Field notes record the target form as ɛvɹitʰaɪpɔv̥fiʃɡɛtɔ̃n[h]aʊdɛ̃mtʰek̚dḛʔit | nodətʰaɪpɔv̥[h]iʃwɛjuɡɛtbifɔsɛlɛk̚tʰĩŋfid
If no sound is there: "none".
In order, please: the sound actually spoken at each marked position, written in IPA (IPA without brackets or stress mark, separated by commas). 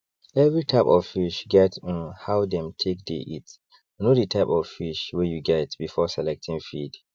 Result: h, f